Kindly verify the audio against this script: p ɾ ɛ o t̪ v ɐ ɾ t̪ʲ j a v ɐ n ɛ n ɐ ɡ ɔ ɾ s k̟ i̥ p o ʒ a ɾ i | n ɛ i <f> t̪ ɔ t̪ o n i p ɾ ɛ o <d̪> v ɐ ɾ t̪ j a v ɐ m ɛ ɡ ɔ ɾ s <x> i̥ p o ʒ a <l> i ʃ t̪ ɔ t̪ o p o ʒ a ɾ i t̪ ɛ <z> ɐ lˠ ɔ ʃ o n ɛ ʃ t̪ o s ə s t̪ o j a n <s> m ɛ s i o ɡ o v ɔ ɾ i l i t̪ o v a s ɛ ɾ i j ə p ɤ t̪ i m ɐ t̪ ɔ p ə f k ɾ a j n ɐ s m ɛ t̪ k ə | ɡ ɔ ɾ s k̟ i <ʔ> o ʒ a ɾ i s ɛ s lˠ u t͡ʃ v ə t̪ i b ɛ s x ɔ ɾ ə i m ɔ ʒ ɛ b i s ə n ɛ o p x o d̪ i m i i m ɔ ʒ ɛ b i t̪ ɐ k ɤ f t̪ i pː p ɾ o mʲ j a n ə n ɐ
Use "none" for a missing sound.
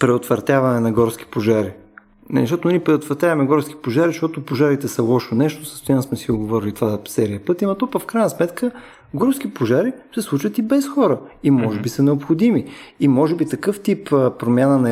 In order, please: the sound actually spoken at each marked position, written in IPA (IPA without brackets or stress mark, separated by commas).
ʃ, t̪, k, ɾ, s, s, p